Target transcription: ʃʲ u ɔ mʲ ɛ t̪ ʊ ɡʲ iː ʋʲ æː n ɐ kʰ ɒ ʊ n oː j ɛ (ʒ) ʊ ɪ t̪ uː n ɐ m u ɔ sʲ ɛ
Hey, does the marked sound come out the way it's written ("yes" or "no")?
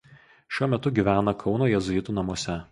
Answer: no